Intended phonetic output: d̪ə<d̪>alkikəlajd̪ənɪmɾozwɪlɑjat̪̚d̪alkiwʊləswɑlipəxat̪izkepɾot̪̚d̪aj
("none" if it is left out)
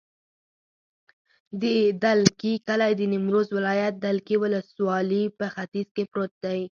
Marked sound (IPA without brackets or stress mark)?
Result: d̪